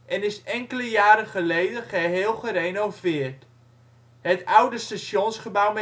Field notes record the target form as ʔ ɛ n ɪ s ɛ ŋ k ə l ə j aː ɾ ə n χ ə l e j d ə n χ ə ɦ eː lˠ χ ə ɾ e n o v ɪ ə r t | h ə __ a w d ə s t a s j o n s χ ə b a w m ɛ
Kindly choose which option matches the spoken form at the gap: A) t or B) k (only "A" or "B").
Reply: A